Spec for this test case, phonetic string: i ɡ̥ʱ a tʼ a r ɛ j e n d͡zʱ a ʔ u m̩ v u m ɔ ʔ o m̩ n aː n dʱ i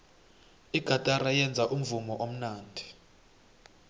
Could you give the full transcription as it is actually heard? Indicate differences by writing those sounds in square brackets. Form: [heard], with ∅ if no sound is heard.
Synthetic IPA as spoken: i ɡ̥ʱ a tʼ a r [a] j [ɛ] n d͡zʱ a ʔ u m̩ v u m ɔ ʔ o m̩ n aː n dʱ i